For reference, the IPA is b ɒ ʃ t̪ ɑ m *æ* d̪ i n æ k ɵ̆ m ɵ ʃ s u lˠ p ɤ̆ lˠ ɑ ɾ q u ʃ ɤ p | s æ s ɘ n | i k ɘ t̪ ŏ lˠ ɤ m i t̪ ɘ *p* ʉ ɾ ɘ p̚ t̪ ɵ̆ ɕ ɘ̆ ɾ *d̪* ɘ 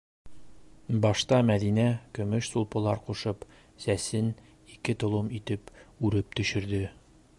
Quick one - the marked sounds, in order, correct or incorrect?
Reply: correct, correct, correct

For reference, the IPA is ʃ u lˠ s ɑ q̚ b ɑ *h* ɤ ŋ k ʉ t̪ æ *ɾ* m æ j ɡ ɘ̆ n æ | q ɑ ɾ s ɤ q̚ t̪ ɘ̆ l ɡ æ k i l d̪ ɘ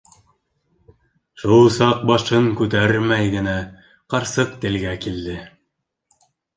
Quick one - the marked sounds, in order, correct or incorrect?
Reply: incorrect: ʃ, correct

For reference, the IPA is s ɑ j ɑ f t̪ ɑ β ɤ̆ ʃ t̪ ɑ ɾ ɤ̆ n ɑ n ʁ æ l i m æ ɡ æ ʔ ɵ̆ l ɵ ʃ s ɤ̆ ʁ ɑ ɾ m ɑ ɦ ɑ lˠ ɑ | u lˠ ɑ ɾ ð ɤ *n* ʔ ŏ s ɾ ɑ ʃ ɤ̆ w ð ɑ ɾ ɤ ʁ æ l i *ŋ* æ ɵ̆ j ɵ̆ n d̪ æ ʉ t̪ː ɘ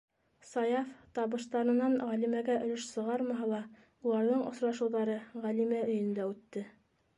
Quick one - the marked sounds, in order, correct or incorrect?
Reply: incorrect: ɴ, incorrect: m

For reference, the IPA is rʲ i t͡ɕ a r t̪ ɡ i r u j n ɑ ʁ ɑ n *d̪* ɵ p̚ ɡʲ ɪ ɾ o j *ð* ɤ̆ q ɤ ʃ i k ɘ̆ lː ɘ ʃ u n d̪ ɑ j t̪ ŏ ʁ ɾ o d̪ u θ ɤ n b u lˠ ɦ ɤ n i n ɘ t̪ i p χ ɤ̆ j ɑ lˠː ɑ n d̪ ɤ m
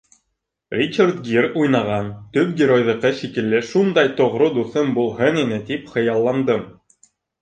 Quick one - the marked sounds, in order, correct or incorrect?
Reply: incorrect: t̪, correct

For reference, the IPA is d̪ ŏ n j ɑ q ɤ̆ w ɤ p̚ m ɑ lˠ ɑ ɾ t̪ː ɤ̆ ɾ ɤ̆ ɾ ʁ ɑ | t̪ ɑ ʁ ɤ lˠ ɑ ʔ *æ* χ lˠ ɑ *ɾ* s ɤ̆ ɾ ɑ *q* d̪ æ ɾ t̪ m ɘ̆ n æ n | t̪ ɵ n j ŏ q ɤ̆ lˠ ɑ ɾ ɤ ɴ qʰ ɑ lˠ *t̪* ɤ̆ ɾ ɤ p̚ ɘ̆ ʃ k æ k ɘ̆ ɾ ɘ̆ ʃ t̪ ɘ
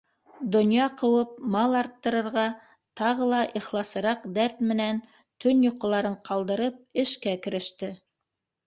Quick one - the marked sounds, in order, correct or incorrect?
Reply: incorrect: i, incorrect: none, correct, incorrect: d̪

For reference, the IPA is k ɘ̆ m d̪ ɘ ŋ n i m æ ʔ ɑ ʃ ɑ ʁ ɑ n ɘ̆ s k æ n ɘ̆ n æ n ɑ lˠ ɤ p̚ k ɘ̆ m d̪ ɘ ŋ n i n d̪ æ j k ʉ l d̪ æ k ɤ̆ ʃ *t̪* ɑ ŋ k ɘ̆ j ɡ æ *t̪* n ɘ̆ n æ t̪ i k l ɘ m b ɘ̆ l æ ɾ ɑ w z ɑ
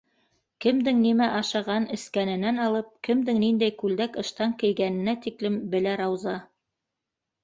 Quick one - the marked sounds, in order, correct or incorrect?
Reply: correct, incorrect: none

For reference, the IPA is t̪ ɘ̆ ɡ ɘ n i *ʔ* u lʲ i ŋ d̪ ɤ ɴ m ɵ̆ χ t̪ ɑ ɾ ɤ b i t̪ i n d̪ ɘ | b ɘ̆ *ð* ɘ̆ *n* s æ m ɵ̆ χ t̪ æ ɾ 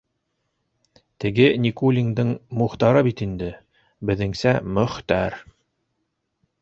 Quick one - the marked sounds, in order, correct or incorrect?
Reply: incorrect: k, correct, incorrect: ŋ

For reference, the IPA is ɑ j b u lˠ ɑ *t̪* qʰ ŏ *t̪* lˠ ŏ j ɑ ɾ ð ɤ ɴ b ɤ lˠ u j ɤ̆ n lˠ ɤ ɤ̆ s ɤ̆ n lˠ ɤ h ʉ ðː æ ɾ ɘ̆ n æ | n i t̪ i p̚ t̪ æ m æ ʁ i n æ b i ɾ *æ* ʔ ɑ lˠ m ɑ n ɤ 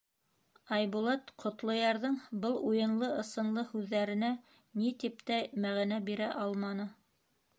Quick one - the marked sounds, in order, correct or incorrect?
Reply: correct, correct, correct

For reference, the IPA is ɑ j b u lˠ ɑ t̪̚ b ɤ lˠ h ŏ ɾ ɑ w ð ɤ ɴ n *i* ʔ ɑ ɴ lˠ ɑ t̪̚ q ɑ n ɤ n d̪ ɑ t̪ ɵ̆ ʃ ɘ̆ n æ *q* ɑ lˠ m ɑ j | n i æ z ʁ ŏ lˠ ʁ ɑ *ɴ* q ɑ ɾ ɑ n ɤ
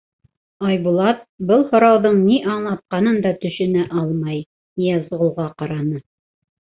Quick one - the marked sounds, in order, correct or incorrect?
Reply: correct, incorrect: ʔ, incorrect: none

